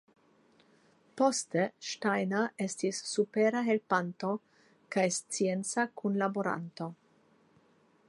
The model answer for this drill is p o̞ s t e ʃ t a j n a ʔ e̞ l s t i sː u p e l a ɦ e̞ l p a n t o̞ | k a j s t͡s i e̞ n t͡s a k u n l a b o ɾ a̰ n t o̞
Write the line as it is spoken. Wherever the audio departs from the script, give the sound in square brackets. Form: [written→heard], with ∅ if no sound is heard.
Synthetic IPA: p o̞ s t e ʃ t a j n a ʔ e̞ [l→∅] s t i sː u p e [l→ɾ] a ɦ e̞ l p a n t o̞ | k a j s t͡s i e̞ n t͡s a k u n l a b o ɾ a̰ n t o̞